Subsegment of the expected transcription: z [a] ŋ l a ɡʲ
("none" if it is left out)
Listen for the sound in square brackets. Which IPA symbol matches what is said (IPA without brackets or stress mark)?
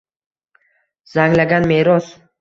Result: a